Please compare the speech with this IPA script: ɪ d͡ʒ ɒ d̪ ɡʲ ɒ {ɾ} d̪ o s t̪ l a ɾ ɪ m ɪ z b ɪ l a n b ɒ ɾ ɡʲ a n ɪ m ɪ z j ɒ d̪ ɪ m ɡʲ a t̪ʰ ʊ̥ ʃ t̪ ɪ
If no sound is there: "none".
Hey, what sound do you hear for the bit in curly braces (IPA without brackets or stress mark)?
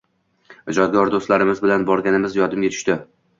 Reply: ɾ